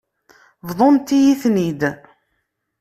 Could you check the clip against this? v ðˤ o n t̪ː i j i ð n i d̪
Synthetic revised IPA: v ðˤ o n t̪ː i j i θ n i d̪